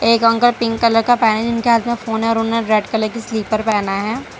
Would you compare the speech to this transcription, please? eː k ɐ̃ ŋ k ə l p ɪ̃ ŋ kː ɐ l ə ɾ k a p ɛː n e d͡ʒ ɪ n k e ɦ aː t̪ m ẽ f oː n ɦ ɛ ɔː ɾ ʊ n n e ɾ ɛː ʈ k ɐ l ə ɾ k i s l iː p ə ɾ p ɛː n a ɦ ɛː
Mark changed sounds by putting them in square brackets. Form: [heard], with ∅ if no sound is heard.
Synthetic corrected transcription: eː k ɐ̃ ŋ k ə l p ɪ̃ ŋ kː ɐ l ə ɾ k a p ɛː n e d͡ʒ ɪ n k e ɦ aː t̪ m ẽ f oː n ɦ ɛ ɔː ɾ ʊ n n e ɾ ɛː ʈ k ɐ l ə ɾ k i s l iː p ə ɾ p ɛː n a ɦ ɛː